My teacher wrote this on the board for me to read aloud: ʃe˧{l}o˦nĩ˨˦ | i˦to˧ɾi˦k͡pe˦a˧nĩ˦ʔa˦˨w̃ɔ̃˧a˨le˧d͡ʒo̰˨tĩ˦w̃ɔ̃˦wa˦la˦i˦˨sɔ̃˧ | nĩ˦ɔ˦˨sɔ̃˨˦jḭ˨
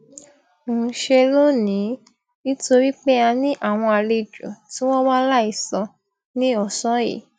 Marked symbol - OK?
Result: yes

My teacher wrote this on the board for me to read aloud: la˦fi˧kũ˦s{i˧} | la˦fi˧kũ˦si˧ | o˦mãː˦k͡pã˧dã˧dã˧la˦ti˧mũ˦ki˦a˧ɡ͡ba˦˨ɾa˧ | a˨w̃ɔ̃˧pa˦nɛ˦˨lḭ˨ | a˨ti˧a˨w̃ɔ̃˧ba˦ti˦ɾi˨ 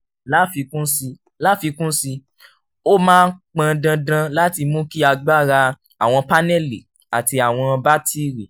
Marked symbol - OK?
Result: yes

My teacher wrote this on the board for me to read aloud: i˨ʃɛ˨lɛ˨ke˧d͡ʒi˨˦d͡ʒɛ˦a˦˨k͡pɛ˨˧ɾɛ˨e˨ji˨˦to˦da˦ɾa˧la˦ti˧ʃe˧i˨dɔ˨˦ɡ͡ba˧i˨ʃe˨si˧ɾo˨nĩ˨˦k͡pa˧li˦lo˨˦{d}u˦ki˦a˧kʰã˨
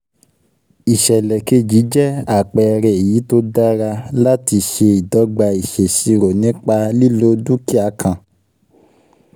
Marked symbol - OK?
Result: yes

